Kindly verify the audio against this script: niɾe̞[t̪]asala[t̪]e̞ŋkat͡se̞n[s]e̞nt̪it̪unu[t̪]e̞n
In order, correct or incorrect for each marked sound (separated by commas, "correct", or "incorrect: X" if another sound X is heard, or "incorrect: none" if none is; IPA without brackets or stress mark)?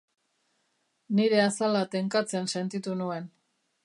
incorrect: none, correct, correct, incorrect: none